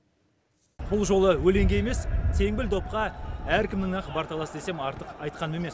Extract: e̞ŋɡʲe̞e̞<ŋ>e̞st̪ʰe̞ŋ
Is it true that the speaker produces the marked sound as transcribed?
no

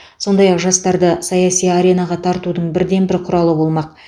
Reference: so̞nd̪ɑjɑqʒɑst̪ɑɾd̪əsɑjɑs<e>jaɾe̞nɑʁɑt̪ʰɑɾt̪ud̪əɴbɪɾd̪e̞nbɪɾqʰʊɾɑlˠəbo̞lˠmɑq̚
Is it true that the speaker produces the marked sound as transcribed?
no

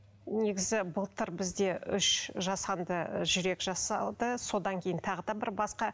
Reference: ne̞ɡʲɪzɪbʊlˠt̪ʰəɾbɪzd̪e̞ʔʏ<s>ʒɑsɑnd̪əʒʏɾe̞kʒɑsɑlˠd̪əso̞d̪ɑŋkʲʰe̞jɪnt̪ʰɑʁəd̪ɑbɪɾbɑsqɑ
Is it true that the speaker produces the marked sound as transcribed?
no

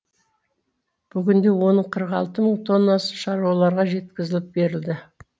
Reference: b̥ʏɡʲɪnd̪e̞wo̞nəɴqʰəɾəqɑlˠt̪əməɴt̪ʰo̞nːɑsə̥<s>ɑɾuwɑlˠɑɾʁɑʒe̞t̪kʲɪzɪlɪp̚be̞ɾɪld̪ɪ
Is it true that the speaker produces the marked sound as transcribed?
no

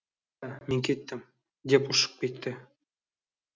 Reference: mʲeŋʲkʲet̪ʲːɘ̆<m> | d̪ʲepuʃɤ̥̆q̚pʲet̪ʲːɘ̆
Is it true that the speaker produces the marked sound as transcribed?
yes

